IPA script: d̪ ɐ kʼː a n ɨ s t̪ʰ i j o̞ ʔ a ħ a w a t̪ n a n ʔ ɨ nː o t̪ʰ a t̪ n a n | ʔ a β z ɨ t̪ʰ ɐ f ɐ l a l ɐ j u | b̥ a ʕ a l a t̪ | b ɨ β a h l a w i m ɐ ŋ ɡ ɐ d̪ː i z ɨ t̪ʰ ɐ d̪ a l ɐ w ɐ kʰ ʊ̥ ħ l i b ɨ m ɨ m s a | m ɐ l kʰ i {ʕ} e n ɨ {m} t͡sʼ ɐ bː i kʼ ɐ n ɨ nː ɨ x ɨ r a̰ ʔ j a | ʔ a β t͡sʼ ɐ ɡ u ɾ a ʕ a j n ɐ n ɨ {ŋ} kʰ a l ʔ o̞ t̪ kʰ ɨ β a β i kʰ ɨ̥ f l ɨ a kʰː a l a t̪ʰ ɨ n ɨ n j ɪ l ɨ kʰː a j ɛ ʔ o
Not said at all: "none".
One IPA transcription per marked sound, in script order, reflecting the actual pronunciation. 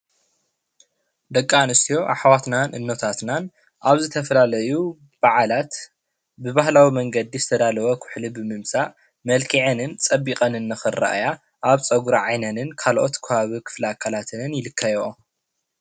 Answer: ʕ, n, n

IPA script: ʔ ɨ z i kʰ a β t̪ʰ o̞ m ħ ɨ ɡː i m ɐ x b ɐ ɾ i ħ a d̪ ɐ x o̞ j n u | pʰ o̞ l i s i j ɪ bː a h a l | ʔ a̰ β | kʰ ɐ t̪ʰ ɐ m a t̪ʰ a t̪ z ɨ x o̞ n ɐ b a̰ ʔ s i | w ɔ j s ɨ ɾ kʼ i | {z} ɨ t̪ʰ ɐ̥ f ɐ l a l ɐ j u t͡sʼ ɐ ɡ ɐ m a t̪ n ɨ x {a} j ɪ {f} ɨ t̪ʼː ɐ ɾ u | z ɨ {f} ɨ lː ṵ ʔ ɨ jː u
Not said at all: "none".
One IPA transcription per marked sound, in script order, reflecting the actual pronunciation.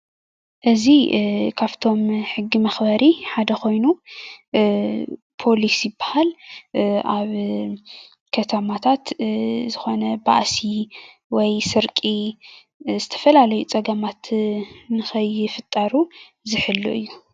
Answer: z, ɐ, f, ħ

